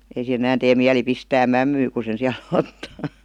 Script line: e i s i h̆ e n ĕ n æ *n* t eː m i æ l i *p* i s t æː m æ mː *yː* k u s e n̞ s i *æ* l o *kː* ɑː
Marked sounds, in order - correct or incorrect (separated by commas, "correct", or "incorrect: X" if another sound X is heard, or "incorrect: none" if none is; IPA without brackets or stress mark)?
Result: correct, correct, correct, correct, incorrect: tː